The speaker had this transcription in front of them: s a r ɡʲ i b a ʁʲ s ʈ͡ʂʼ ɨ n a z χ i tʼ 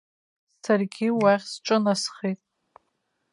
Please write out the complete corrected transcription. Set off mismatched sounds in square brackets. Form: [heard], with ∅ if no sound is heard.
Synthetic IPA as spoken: s a r ɡʲ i [w] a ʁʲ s ʈ͡ʂʼ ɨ n a [s] χ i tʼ